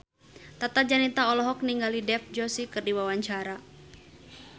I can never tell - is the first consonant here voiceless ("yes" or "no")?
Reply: yes